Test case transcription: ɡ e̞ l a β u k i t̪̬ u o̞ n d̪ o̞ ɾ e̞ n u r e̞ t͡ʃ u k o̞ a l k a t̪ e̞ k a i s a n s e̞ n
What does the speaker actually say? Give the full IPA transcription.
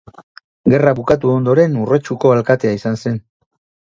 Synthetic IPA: ɡ e̞ r a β u k a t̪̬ u o̞ n d̪ o̞ ɾ e̞ n u r e̞ t͡ʃ u k o̞ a l k a t̪ e̞ a i s a n s e̞ n

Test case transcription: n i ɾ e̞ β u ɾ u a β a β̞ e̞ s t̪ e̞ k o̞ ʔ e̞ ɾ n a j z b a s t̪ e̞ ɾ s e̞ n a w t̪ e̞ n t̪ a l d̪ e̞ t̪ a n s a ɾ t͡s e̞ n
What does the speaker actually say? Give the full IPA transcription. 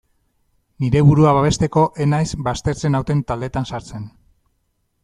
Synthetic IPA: n i ɾ e̞ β u ɾ u a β a β̞ e̞ s t̪ e̞ k o̞ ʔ e̞ n a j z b a s t̪ e̞ ɾ t͡s e̞ n a w t̪ e̞ n t̪ a l d̪ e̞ t̪ a n s a ɾ t͡s e̞ n

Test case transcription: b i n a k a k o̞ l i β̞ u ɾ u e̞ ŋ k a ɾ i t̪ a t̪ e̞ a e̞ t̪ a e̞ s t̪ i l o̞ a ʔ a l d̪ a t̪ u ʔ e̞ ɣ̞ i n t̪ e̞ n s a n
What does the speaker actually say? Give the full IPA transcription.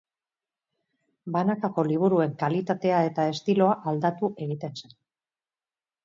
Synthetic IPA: b a n a k a k o̞ l i β̞ u ɾ u e̞ ŋ k a l i t̪ a t̪ e̞ a e̞ t̪ a e̞ s t̪ i l o̞ a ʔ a l d̪ a t̪ u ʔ e̞ ɣ̞ i t̪ e̞ n s e n

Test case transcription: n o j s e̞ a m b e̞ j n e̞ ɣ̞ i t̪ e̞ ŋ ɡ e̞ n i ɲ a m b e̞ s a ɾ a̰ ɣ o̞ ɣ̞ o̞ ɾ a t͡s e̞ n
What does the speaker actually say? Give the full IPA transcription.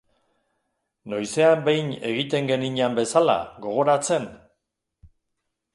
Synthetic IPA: n o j s e̞ a m b e̞ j n e̞ ɣ̞ i t̪ e̞ ŋ ɡ e̞ n i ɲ a m b e̞ s a l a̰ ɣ o̞ ɣ̞ o̞ ɾ a t͡s e̞ n

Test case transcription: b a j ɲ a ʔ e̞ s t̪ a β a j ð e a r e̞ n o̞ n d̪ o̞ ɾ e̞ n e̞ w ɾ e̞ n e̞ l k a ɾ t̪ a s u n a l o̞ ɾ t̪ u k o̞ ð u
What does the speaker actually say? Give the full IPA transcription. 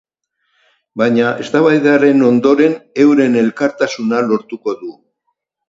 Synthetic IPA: b a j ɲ a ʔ e̞ s t̪ a β a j ð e a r e̞ n o̞ n d̪ o̞ ɾ e̞ n e̞ w ɾ e̞ n e̞ l k a ɾ t̪ a s u n a l o̞ ɾ t̪ u k o̞ ð u

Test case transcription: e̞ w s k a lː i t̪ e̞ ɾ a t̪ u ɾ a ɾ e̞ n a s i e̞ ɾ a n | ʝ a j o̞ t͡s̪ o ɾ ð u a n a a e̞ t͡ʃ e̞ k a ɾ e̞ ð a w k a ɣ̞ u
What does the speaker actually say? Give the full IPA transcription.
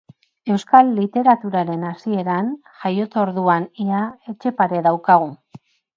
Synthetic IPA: e̞ w s k a lː i t̪ e̞ ɾ a t̪ u ɾ a ɾ e̞ n a s i e̞ ɾ a n | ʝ a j o̞ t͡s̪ o ɾ ð u a n i a e̞ t͡ʃ e̞ p a ɾ e̞ ð a w k a ɣ̞ u

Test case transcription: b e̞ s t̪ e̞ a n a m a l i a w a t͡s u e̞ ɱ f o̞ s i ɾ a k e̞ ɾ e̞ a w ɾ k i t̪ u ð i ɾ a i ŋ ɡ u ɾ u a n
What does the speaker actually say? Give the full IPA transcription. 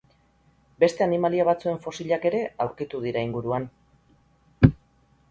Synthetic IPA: b e̞ s t̪ e̞ a n i m a l i a β a t͡s u e̞ ɱ f o̞ s i ʎ a k e̞ ɾ e̞ a w ɾ k i t̪ u ð i ɾ a i ŋ ɡ u ɾ u a n

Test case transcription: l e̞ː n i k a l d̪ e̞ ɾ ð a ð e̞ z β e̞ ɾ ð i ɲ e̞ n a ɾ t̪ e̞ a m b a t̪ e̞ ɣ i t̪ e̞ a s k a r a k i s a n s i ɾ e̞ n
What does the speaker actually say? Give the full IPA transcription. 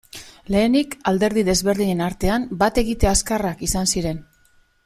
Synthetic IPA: l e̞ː n i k a l d̪ e̞ ɾ ð i ð e̞ z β e̞ ɾ ð i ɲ e̞ n a ɾ t̪ e̞ a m b a t̪ e̞ ɣ i t̪ e̞ a s k a r a k i s a n s i ɾ e̞ n

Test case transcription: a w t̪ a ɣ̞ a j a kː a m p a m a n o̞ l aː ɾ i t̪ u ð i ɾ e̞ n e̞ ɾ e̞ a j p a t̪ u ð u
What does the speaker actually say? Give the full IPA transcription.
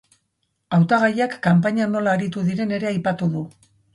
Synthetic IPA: a w t̪ a ɣ̞ a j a kː a m p a ɲ a n o̞ l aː ɾ i t̪ u ð i ɾ e̞ n e̞ ɾ e̞ a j p a t̪ u ð u

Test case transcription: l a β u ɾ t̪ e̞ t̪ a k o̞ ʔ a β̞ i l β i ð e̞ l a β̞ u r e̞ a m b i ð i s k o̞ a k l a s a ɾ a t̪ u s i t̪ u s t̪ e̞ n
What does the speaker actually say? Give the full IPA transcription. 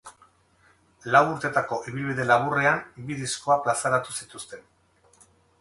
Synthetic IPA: l a w u ɾ t̪ e̞ t̪ a k o̞ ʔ i β̞ i l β i ð e̞ l a β̞ u r e̞ a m b i ð i s k o̞ a p l a s a ɾ a t̪ u s i t̪ u s t̪ e̞ n

